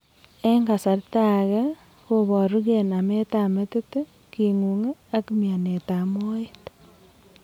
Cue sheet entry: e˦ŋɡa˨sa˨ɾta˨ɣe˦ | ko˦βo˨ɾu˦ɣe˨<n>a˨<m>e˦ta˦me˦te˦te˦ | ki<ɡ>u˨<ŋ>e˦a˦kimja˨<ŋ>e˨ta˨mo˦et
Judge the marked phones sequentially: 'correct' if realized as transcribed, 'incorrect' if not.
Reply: correct, correct, incorrect: ŋ, correct, incorrect: n

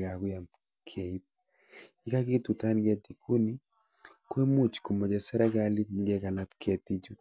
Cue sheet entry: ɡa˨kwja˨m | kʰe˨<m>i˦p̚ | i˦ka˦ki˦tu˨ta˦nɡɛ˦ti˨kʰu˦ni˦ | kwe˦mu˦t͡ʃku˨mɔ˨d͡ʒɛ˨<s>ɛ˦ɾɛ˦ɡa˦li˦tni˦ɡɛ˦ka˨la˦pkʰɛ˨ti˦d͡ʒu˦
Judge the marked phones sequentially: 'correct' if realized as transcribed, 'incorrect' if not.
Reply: incorrect: none, correct

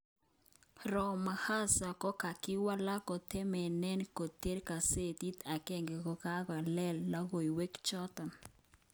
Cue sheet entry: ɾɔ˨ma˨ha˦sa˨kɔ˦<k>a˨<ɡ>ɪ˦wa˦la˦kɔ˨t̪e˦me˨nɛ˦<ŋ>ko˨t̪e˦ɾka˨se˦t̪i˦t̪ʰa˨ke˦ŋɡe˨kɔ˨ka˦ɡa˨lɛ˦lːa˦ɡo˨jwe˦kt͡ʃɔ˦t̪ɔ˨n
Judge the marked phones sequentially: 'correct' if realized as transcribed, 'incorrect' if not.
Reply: correct, incorrect: k, incorrect: n

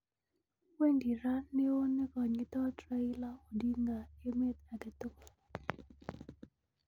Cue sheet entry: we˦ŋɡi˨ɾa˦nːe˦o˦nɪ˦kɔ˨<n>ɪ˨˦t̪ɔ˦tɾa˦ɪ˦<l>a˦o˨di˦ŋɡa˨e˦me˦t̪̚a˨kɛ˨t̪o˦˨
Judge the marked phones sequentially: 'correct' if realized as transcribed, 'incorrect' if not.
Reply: incorrect: ɲ, correct

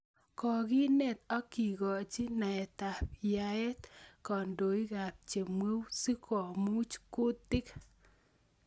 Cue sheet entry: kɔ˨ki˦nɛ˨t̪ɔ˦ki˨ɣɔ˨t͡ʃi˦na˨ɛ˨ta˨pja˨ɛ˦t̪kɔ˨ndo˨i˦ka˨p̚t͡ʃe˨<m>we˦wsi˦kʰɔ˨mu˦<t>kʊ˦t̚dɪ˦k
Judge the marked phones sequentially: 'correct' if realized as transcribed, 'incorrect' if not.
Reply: correct, incorrect: t͡ʃ

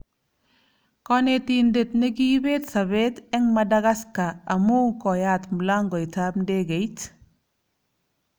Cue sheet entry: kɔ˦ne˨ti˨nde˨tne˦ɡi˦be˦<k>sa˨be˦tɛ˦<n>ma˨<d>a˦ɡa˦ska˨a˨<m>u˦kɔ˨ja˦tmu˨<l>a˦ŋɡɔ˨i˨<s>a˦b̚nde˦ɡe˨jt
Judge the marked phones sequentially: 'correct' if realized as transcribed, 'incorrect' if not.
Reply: incorrect: t, incorrect: ŋ, correct, correct, correct, incorrect: t

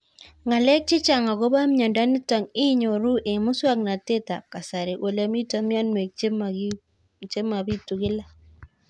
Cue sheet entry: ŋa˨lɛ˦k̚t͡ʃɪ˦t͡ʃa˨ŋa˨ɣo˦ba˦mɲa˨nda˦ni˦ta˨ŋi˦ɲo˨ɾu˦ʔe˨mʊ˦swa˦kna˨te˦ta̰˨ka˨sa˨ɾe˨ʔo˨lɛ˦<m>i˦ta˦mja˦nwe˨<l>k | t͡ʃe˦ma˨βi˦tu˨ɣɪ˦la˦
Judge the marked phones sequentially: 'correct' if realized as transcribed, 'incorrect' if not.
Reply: correct, incorrect: none

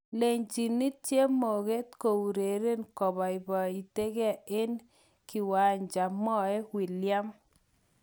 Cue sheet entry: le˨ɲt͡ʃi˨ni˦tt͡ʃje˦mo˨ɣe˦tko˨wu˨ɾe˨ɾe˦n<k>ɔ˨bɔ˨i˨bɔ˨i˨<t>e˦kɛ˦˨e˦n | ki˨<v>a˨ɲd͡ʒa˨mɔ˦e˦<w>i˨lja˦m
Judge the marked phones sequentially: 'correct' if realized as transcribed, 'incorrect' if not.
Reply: correct, correct, incorrect: w, correct

